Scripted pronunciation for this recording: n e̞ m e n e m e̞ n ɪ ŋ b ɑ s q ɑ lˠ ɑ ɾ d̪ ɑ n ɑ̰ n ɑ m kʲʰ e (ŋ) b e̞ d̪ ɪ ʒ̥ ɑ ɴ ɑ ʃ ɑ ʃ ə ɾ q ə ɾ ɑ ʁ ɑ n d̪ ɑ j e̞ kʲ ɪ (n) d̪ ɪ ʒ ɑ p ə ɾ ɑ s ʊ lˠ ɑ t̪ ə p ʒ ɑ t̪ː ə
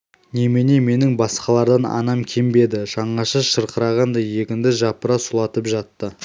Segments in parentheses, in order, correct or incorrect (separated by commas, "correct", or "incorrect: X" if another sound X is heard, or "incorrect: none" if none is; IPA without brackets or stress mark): incorrect: m, correct